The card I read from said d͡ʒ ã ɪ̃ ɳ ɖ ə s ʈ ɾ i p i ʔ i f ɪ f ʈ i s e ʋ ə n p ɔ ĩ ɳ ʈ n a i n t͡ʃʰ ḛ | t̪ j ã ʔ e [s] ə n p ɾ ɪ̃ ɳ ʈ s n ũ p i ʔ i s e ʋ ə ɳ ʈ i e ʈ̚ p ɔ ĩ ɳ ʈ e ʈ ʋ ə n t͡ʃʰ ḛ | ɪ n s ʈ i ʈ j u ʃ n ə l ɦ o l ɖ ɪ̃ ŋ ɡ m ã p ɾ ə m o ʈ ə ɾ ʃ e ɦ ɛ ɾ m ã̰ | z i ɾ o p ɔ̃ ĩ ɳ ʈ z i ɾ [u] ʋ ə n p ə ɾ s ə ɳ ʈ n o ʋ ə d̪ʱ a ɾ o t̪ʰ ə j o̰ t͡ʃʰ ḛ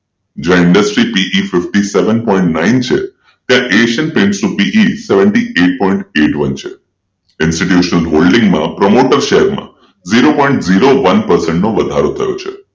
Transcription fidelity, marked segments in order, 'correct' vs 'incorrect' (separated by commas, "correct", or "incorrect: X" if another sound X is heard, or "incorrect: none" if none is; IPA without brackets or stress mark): incorrect: ʃ, incorrect: o